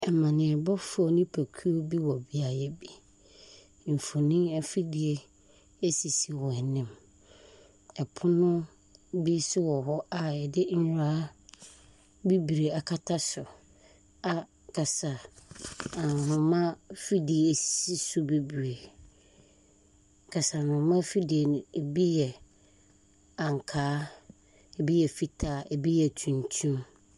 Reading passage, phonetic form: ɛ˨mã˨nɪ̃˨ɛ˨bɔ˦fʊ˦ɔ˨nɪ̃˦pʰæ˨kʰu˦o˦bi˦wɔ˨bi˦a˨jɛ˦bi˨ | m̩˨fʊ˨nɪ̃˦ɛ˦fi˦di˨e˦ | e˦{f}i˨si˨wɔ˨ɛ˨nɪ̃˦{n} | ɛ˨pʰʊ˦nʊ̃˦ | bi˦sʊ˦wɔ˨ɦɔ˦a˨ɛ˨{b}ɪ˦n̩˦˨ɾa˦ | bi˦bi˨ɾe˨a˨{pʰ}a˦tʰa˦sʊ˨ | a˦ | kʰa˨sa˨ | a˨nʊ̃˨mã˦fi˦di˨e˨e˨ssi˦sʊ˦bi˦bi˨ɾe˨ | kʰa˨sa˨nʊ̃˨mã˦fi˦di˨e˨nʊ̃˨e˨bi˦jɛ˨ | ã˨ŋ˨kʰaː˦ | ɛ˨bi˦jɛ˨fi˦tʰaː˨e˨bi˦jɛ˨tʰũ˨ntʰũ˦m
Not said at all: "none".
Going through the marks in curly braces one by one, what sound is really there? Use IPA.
s, m, d, kʰ

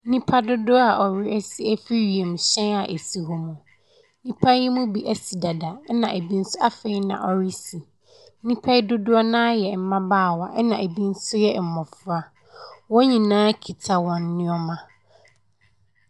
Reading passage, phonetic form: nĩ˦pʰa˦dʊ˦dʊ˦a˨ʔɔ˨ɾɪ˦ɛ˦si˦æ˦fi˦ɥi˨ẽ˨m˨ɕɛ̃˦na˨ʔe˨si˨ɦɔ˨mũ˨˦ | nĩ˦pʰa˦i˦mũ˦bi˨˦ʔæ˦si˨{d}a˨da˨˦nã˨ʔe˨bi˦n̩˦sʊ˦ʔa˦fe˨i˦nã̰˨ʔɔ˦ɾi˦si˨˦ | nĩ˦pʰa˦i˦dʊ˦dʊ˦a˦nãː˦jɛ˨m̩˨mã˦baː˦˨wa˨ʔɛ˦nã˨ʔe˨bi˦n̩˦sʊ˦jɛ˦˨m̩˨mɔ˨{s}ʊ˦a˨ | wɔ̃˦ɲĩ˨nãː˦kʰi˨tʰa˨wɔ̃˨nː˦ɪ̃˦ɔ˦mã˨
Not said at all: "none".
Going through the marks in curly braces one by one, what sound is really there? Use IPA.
d, f

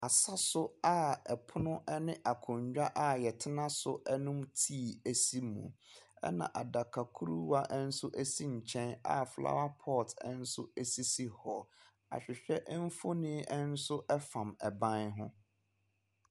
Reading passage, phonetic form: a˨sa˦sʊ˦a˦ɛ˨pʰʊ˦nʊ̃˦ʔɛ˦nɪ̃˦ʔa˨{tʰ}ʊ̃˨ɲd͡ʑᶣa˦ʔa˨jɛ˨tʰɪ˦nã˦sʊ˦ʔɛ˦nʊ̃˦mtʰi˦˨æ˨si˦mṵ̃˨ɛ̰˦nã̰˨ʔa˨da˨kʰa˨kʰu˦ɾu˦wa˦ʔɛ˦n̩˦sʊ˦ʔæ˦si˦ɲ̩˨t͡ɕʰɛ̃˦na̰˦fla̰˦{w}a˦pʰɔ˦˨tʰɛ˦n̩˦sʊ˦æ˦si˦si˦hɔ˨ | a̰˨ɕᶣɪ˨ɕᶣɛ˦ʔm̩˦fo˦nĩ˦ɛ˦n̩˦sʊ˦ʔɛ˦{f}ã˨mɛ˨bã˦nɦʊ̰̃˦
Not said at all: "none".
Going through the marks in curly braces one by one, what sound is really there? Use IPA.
kʰ, w, f

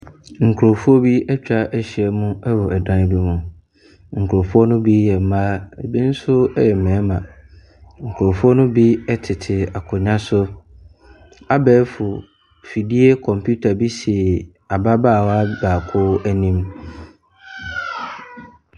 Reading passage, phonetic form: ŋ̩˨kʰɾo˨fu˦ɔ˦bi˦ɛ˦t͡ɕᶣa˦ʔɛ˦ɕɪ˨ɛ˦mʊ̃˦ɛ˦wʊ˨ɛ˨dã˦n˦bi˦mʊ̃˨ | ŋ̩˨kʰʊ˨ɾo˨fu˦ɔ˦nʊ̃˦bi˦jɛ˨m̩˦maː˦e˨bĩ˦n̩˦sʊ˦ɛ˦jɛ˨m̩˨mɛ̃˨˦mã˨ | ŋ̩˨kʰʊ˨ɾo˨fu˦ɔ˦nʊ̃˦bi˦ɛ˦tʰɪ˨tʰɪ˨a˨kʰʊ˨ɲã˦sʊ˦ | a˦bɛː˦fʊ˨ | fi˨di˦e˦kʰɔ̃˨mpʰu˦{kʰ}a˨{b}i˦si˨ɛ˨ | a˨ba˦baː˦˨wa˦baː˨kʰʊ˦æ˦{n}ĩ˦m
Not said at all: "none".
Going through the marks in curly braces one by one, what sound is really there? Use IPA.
tʰ, b, n

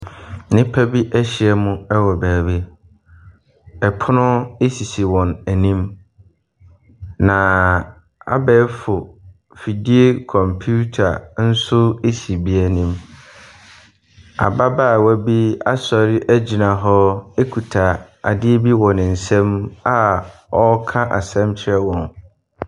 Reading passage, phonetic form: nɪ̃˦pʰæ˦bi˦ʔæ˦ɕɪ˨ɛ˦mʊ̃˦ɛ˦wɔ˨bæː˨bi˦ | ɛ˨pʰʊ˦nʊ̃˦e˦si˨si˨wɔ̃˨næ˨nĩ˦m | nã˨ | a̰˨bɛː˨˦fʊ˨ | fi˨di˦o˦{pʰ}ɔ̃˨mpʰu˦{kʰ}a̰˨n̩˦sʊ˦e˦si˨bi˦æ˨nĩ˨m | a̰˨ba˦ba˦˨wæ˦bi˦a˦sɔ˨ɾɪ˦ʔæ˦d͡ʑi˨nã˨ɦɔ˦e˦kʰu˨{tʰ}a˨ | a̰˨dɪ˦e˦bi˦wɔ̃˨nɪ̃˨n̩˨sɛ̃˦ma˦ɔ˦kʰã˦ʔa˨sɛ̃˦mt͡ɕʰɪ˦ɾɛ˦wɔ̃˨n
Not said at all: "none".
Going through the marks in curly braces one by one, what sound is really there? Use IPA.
kʰ, tʰ, tʰ

